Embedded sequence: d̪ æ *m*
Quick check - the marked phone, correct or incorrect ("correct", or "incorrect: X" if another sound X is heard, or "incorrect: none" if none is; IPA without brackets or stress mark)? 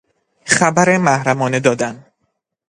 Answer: incorrect: n